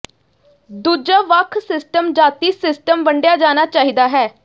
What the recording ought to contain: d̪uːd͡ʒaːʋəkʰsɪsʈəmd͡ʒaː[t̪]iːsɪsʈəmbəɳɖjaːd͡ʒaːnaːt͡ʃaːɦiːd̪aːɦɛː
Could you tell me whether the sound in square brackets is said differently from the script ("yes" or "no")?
no